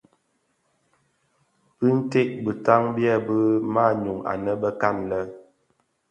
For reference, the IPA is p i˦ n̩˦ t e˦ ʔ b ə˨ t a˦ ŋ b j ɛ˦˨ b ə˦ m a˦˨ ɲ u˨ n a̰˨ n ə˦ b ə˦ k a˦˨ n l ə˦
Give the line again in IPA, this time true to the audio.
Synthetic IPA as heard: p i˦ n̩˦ t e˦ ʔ b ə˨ t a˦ ŋ b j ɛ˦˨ b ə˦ m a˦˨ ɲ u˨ ŋ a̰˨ n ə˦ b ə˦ k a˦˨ n l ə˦